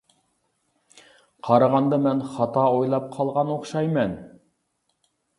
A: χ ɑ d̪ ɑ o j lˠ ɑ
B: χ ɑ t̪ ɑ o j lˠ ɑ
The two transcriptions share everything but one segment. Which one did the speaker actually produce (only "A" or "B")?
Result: B